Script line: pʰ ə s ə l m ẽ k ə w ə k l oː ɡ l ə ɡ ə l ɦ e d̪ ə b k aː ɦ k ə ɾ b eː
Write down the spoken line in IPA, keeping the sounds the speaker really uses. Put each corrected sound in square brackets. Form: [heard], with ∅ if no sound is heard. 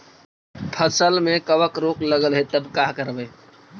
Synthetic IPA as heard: pʰ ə s ə l m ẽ k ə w ə k [ɾ] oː [k] l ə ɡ ə l ɦ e [t̪] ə b k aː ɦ k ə ɾ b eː